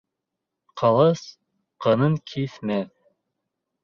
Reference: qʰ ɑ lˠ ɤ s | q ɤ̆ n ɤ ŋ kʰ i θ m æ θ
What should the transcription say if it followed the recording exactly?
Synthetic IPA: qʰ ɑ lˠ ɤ s | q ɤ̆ n ɤ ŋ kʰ i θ m æ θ